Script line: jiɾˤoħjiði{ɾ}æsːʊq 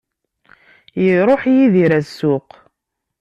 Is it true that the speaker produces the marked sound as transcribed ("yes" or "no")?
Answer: yes